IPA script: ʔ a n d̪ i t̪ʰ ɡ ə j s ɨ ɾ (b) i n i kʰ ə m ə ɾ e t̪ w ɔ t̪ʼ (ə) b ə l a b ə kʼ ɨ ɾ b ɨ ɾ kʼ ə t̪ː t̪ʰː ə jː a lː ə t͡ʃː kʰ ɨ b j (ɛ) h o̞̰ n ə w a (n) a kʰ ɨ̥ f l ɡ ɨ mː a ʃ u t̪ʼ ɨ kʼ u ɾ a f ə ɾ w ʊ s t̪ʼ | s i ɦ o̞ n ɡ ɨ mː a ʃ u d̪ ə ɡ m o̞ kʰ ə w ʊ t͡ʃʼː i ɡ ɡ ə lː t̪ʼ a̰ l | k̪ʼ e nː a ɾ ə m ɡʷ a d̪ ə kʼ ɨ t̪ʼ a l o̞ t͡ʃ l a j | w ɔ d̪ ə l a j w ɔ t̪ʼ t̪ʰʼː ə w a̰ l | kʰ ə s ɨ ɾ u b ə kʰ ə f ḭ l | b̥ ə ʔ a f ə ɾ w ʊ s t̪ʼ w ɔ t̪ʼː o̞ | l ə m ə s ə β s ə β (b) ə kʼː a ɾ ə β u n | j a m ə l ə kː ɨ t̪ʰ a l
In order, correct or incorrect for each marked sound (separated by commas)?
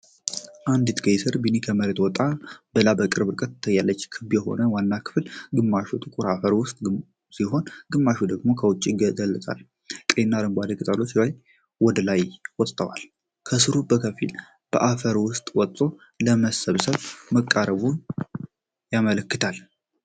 correct, incorrect, correct, incorrect, incorrect